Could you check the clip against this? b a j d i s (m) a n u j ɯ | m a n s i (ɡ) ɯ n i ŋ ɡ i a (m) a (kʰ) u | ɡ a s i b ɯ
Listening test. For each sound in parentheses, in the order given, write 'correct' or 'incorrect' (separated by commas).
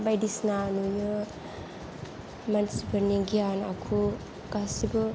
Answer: incorrect, incorrect, incorrect, correct